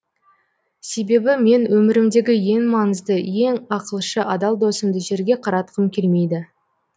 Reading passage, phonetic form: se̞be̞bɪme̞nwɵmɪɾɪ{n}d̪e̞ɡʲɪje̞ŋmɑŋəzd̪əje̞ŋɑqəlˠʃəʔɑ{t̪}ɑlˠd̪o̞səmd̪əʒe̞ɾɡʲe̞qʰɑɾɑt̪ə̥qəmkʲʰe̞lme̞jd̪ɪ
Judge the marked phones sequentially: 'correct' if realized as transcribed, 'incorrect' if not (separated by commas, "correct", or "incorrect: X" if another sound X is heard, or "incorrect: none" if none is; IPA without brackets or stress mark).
incorrect: m, incorrect: d̪